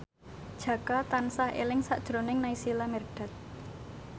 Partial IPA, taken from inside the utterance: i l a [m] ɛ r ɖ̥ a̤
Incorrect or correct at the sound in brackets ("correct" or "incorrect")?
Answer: correct